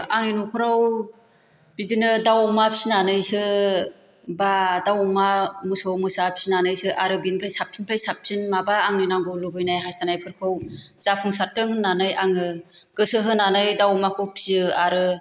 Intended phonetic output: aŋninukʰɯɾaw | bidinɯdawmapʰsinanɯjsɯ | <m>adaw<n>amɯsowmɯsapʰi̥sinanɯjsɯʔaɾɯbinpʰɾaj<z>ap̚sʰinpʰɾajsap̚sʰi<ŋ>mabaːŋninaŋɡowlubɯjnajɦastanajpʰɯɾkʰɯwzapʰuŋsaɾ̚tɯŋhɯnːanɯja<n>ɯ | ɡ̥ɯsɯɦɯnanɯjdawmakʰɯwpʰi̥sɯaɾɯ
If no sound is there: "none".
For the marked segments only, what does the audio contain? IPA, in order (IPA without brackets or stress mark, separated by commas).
b, m, s, n, ŋ